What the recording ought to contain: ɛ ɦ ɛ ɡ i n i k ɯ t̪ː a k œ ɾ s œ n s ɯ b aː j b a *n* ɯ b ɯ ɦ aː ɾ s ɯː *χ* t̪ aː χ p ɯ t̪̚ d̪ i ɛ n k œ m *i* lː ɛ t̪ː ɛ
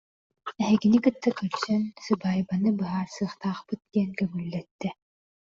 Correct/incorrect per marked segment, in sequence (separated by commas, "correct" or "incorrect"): correct, correct, incorrect